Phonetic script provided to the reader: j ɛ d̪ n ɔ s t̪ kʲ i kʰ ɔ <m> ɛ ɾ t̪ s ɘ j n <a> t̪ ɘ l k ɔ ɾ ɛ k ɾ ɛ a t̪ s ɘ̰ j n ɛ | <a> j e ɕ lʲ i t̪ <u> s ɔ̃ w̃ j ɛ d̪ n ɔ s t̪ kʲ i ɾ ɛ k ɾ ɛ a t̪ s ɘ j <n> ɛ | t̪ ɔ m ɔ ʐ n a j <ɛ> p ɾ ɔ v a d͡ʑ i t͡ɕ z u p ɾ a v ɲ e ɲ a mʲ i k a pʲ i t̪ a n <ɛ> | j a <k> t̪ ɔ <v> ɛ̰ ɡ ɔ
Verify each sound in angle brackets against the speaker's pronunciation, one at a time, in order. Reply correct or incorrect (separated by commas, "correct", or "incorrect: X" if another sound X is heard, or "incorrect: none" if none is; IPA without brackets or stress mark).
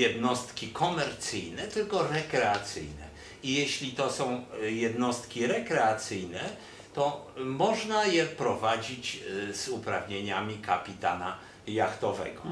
correct, incorrect: ɛ, incorrect: i, incorrect: ɔ, correct, correct, incorrect: a, incorrect: x, correct